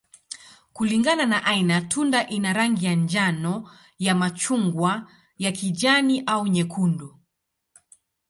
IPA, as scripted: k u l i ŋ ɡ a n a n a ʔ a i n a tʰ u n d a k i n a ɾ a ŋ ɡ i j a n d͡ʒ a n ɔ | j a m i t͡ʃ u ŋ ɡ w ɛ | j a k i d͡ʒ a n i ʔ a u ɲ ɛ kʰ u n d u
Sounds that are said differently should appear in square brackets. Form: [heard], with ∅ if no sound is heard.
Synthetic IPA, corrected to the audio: k u l i ŋ ɡ a n a n a ʔ a i n a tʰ u n d a [ʔ] i n a ɾ a ŋ ɡ i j a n d͡ʒ a n ɔ | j a m [a] t͡ʃ u ŋ ɡ w [a] | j a k i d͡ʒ a n i ʔ a u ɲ ɛ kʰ u n d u